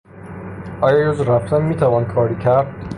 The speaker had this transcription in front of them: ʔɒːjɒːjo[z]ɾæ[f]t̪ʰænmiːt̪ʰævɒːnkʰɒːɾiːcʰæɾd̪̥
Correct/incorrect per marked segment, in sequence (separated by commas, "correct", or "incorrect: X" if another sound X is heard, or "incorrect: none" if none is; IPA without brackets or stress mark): correct, correct